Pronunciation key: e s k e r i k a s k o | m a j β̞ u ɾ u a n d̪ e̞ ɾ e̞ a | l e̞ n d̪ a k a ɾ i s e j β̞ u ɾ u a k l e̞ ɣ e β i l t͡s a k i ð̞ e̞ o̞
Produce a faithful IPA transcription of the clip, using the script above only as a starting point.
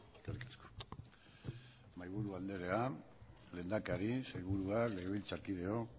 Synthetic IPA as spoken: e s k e r i k a s k o | m a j β̞ u ɾ u a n d̪ e̞ ɾ e̞ a | l e̞ n d̪ a k a ɾ i s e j β̞ u ɾ u a k l e̞ ɣ e β i l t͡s a k i ð̞ e̞ o̞